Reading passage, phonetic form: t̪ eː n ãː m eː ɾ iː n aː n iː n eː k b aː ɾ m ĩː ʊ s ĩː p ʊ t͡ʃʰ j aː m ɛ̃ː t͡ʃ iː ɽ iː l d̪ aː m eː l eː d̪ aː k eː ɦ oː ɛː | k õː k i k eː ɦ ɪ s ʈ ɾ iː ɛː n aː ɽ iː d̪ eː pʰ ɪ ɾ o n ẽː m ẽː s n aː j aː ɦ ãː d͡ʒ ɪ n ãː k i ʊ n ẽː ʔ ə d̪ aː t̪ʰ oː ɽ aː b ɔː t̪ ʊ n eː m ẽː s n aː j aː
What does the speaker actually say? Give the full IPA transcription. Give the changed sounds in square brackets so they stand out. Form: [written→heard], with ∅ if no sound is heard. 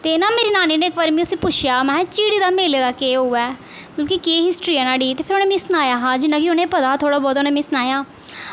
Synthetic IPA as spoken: t̪ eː n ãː m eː ɾ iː n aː n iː n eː k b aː ɾ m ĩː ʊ s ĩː p ʊ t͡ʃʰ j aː m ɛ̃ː t͡ʃ iː ɽ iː [l→∅] d̪ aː m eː l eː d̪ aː k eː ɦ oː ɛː | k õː k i k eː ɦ ɪ s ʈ ɾ iː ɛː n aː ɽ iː [d̪→t̪] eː pʰ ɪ ɾ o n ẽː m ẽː s n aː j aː ɦ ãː d͡ʒ ɪ n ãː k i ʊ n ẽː [ʔ→p] ə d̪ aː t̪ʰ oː ɽ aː b ɔː t̪ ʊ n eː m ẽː s n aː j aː